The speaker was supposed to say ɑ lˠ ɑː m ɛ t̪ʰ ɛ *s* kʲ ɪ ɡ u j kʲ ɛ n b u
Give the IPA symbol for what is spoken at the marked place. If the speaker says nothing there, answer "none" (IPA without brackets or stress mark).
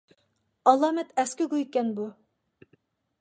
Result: s